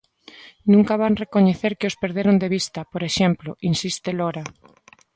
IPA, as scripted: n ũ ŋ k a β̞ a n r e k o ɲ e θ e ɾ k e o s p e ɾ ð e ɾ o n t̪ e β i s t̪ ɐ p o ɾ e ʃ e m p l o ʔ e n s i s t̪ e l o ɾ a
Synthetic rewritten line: n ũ ŋ k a β̞ a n r e k o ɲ e θ e ɾ k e o s p e ɾ ð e ɾ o n d̪ e β i s t̪ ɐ p o ɾ e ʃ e m p l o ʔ i n s i s t̪ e l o ɾ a

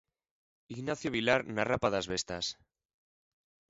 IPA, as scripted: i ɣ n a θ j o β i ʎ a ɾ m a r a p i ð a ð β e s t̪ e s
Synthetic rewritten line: i ɣ n a θ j o β i l a ɾ n a r a p a ð a z β e s t̪ a s

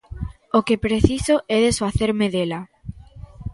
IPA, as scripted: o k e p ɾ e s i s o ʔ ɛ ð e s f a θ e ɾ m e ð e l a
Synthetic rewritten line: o k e p ɾ e θ i s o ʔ ɛ ð e s f a θ e ɾ m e ð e l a

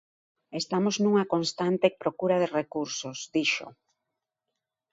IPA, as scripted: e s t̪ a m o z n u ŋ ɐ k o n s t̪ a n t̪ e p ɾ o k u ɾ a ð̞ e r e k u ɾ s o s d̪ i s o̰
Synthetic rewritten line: e s t̪ a m o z n u ŋ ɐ k o n s t̪ a n t̪ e p ɾ o k u ɾ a ð̞ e r e k u ɾ s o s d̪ i ʃ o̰

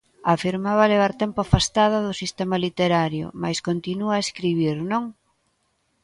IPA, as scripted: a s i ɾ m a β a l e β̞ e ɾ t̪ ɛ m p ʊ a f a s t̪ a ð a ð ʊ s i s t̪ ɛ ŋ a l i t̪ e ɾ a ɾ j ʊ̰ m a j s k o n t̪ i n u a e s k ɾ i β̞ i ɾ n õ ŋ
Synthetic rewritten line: a f i ɾ m a β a l e β̞ a ɾ t̪ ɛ m p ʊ a f a s t̪ a ð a ð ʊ s i s t̪ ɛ m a l i t̪ e ɾ a ɾ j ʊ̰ m a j s k o n t̪ i n u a e s k ɾ i β̞ i ɾ n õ ŋ

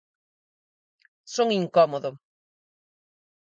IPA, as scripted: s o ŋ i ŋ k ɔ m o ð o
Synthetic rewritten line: s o ŋ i ŋ k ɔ m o ð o

